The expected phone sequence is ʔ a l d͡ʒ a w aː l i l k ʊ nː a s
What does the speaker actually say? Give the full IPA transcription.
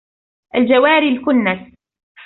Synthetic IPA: ʔ a l d͡ʒ a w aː ɾ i l k ʊ nː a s

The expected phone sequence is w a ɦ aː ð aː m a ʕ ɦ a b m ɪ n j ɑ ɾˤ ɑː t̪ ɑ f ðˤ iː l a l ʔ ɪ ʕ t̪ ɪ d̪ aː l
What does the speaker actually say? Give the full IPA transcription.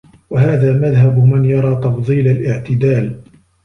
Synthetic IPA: w a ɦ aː ð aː m a ð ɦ a b m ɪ n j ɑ ɾˤ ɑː t̪ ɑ f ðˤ iː l a l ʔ ɪ ʕ t̪ ɪ d̪ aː l

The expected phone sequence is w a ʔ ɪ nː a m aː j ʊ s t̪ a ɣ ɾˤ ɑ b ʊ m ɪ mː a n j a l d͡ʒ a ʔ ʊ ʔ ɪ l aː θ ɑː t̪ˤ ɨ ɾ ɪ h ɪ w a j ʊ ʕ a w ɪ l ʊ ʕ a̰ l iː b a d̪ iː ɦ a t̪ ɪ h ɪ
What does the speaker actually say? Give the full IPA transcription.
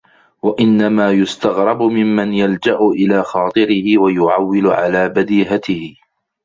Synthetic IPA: w a ʔ ɪ nː a m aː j ʊ s t̪ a ɣ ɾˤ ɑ b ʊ m ɪ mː a n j a l d͡ʒ a ʔ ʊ ʔ ɪ l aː x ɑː t̪ˤ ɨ ɾ ɪ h ɪ w a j ʊ ʕ a wː ɪ l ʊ ʕ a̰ l aː b a d̪ iː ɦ a t̪ ɪ h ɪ

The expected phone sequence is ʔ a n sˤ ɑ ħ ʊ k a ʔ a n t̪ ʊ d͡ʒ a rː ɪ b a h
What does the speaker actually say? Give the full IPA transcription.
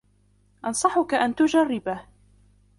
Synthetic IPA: ʔ ɑ n sˤ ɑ ħ ʊ k a ʔ a n t̪ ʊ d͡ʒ a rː ɪ b a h

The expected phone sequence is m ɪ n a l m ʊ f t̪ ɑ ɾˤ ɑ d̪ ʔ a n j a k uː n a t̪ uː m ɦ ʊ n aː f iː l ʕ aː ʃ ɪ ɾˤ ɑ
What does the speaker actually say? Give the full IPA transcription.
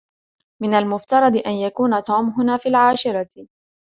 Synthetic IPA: m ɪ n a l m ʊ f t̪ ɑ ɾˤ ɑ d̪ ʔ a n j a k uː n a t̪ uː m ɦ ʊ n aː f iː l ʕ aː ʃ ɪ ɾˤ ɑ

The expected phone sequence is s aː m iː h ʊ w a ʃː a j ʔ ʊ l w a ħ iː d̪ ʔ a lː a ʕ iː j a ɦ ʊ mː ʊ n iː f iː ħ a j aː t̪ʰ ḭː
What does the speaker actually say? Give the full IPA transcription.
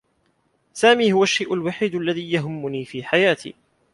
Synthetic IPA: s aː m iː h ʊ w a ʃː a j ʔ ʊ l w a ħ iː d̪ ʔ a lː a ð iː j a ɦ ʊ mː ʊ n iː f iː ħ a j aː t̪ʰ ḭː

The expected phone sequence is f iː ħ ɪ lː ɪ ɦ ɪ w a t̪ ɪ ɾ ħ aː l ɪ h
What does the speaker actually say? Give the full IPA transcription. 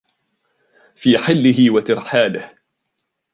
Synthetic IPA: f iː ħ ɪ lː ɪ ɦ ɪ w a t̪ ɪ ɾ ħ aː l ɪ h

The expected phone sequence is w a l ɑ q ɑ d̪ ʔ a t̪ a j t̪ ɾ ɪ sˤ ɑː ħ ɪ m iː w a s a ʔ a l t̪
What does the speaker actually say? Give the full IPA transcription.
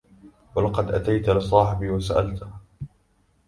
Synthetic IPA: w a l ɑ q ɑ d̪ ʔ a t̪ a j t̪ l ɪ sˤ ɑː ħ ɪ b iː w a s a ʔ a l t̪

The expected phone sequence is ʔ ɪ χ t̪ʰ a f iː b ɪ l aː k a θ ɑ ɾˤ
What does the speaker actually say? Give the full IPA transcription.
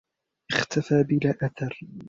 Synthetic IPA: ʔ ɪ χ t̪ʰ a f aː b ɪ l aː ʔ a θ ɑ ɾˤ

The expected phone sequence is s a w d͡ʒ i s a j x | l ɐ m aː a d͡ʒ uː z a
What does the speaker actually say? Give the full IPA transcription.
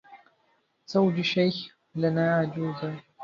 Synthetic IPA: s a w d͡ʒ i ʃ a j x | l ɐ n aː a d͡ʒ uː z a

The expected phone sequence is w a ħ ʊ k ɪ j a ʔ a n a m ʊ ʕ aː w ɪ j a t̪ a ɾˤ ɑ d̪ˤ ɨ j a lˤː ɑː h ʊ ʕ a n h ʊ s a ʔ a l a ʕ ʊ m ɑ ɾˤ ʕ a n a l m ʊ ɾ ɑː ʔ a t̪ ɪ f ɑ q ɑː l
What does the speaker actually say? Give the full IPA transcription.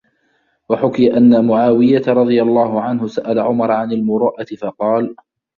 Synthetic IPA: w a ħ ʊ k ɪ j a ʔ a nː a m ʊ ʕ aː w ɪ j a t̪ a ɾˤ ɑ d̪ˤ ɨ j a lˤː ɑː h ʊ ʕ a n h ʊ s a ʔ a l a ʕ ʊ m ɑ ɾˤ ʕ a n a l m ʊ ɾ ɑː ʔ a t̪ ɪ f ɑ q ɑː l

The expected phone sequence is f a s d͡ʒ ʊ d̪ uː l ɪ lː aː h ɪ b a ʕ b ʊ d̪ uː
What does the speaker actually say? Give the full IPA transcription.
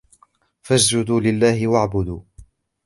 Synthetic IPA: f a s d͡ʒ ʊ d̪ uː l ɪ lː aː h ɪ w a ʕ b ʊ d̪ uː

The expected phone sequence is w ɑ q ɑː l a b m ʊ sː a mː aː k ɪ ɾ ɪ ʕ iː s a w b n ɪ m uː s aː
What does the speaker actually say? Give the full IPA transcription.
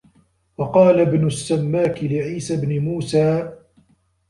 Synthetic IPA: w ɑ q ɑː l a b n ʊ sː a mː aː k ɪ l ɪ ʕ iː s a b n ɪ m uː s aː

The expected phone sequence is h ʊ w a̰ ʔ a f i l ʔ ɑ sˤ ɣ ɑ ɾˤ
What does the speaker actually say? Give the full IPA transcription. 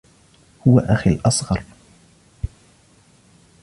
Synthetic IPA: h ʊ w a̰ ʔ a x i l ʔ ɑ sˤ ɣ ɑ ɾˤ

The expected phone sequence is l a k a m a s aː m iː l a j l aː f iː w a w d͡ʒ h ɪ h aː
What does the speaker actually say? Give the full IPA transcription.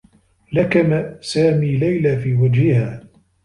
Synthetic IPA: l a k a m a s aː m iː l a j l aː f iː w a d͡ʒ h ɪ h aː

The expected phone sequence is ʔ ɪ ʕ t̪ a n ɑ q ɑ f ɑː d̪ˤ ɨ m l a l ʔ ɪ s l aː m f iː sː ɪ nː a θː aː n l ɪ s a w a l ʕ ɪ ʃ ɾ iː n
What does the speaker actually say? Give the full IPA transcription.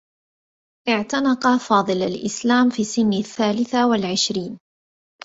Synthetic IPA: ʔ ɪ ʕ t̪ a n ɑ q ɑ f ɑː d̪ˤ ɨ l a l ʔ ɪ s l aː m f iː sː ɪ nː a θː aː l ɪ θ a w a l ʕ ɪ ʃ ɾ iː n

